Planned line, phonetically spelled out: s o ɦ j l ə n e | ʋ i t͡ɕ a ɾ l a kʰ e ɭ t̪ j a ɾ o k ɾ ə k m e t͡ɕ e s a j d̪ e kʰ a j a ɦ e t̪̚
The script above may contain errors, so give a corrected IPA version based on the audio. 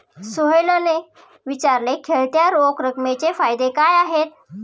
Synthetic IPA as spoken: s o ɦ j l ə n e | ʋ i t͡ɕ a ɾ l e kʰ e ɭ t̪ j a ɾ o k ɾ ə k m e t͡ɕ e f a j d̪ e k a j a ɦ e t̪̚